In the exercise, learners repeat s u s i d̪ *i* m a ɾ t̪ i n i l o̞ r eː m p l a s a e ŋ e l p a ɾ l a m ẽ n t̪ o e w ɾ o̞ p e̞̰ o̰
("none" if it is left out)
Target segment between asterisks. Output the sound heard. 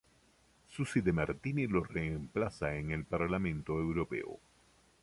e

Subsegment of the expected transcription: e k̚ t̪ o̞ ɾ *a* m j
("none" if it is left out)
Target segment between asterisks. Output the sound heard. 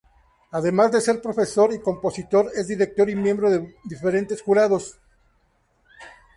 i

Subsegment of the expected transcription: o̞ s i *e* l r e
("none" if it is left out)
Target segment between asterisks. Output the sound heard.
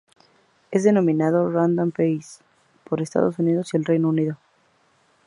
e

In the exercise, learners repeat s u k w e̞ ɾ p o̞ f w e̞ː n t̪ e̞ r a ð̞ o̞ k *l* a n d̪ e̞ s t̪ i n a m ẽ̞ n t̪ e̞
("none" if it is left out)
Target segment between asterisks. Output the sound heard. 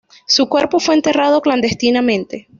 l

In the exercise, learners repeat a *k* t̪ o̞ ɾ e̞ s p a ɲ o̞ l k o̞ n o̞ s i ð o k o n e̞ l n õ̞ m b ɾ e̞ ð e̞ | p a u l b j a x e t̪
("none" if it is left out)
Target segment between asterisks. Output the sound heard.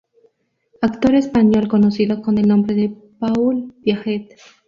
k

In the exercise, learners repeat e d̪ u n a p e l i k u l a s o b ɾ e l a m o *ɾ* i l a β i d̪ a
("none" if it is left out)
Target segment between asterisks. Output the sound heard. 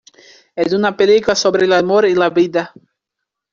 ɾ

